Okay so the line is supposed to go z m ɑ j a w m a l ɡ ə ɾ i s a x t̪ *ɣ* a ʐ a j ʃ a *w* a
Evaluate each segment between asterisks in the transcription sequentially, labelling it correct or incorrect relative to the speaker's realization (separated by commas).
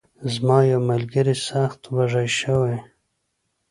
incorrect, correct